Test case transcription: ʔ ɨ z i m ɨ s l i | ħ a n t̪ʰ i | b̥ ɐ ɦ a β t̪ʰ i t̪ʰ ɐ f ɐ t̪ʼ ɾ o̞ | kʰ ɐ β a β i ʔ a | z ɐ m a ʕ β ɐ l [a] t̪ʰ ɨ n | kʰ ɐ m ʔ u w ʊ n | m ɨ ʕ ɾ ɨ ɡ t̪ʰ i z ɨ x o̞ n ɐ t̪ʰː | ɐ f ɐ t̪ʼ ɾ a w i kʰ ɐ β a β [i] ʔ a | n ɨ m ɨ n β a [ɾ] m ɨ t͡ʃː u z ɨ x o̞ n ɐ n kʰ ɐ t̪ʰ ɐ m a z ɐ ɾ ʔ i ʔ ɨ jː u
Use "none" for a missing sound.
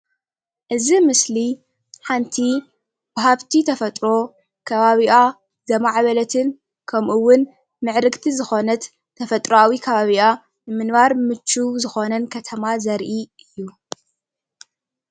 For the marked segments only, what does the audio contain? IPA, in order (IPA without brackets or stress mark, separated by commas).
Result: ɐ, i, ɾ